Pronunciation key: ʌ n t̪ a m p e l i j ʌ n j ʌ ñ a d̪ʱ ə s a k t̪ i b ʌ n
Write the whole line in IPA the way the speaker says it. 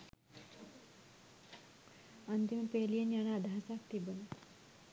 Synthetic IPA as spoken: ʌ n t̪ i m p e l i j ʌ n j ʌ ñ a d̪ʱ a s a k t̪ i b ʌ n